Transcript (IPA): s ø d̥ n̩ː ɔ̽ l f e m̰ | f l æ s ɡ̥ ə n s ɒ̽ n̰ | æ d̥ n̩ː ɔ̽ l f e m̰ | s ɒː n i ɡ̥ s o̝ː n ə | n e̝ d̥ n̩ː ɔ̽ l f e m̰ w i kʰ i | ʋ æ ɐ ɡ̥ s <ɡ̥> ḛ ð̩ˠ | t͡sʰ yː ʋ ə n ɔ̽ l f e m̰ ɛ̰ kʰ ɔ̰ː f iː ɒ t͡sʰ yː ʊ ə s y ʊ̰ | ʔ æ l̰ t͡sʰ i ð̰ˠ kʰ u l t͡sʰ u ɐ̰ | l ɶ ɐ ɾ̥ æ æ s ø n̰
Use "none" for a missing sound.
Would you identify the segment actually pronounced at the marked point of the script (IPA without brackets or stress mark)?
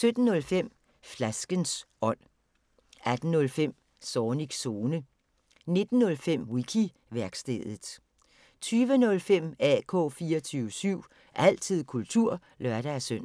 d̥